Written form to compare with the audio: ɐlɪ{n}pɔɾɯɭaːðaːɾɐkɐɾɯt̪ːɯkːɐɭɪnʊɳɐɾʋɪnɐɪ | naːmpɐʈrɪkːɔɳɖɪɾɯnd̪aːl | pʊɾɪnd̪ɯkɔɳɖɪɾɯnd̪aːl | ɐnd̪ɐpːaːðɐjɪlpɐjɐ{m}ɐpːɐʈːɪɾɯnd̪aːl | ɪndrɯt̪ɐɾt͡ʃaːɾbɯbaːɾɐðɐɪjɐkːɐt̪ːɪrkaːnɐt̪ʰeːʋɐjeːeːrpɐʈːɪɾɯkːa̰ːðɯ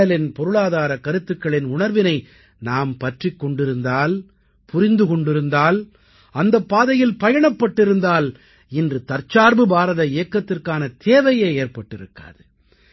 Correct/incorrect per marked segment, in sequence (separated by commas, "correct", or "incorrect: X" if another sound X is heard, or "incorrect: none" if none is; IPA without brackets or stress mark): correct, incorrect: ɳ